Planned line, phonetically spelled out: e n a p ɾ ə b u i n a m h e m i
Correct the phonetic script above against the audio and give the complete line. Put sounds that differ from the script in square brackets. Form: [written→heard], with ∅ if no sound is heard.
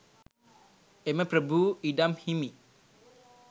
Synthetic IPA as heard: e [n→m] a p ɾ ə b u i [n→d] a m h [e→i] m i